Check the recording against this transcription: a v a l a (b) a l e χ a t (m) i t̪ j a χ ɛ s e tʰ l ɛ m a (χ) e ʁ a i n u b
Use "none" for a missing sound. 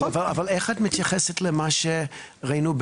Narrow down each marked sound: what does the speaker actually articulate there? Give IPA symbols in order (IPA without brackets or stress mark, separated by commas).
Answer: v, m, ʃ